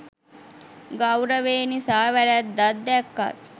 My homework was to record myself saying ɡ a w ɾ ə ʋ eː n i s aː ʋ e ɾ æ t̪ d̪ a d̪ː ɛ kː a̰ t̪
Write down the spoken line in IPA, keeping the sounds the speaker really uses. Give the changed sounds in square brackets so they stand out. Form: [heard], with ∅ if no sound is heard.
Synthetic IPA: ɡ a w ɾ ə ʋ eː n i s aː ʋ [æ] ɾ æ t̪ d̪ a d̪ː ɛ kː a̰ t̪